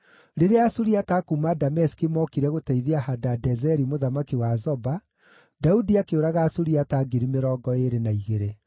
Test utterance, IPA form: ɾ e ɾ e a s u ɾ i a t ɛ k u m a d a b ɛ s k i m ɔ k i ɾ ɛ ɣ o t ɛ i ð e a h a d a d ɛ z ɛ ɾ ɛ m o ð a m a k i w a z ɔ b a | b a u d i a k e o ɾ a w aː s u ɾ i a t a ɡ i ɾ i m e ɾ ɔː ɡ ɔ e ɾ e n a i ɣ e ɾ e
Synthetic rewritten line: ɾ e ɾ e a s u ɾ i a t a k u m a d a m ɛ s k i m ɔ k i ɾ ɛ ɣ o t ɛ i ð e a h a d a d ɛ z ɛ ɾ i m o ð a m a k i w a z ɔ b a | d a u d i a k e o ɾ a ɣ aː s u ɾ i a t a ɡ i ɾ i m e ɾ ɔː ɡ ɔ e ɾ e n a i ɣ e ɾ e

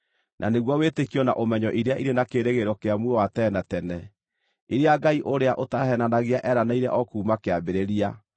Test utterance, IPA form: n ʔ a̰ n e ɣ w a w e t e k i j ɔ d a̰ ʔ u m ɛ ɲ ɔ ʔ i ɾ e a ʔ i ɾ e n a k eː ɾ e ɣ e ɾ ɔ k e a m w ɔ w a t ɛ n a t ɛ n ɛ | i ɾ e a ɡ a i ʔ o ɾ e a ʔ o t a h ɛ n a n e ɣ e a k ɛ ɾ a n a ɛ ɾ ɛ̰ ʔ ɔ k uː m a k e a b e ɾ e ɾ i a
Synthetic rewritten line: n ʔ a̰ n e ɣ w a w e t e k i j ɔ n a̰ ʔ o m ɛ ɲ ɔ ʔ i ɾ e a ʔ i ɾ e n a k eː ɾ e ɣ e ɾ ɔ k e a m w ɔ w a t ɛ n a t ɛ n ɛ | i ɾ e a ɡ a i ʔ o ɾ e a ʔ o t a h ɛ n a n a ɣ e a ʔ ɛ ɾ a n a i ɾ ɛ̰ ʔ ɔ k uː m a k e a b e ɾ e ɾ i a

